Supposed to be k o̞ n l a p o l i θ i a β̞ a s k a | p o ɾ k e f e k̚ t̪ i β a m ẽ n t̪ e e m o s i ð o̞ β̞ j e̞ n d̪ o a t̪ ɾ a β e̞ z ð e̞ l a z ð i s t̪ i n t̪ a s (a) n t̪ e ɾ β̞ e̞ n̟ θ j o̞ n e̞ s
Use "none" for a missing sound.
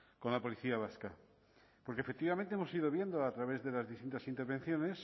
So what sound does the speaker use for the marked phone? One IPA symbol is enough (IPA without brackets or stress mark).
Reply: i